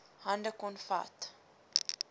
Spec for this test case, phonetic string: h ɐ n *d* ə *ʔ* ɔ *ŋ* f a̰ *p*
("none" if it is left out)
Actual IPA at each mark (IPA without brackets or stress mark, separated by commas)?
d, k, n, t